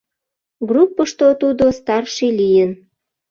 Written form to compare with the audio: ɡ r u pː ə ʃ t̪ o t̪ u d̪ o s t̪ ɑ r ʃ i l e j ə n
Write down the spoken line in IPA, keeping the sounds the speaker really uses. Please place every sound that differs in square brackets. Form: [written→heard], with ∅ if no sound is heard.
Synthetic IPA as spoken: ɡ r u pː ə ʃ t̪ o t̪ u d̪ o s t̪ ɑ r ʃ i l [e→i] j ə n